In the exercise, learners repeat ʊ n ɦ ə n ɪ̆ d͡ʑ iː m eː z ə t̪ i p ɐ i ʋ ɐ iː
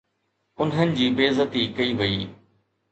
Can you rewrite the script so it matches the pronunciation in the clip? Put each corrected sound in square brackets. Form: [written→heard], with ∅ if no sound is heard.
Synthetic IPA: ʊ n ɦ ə n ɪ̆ d͡ʑ iː [m→b] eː z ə t̪ i [p→k] ɐ i ʋ ɐ iː